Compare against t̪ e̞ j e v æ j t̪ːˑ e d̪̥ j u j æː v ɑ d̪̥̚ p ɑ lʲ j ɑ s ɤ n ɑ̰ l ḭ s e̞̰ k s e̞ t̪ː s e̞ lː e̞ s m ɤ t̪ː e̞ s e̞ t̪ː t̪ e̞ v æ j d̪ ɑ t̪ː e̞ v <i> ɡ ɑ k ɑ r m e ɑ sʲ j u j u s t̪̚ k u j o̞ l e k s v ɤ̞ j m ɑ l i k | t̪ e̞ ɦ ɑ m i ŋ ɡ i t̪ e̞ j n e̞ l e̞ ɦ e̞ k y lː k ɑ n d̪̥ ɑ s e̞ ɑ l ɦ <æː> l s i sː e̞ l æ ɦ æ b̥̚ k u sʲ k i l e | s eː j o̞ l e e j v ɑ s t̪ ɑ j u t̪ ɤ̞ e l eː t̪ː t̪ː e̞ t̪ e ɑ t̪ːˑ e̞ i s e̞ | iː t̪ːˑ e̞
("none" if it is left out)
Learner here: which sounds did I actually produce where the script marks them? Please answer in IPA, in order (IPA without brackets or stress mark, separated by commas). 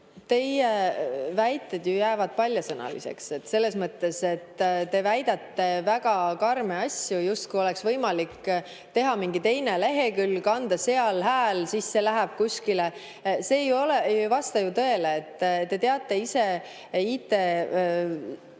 æ, æː